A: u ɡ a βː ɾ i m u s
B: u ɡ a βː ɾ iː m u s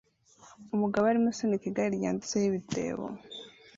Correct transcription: A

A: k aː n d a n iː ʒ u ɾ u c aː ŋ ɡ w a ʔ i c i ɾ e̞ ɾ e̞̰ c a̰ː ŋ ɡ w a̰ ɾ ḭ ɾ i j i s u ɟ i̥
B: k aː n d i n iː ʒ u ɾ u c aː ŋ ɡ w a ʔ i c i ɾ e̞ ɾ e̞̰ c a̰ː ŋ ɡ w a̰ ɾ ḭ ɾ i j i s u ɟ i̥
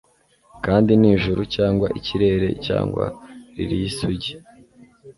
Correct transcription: B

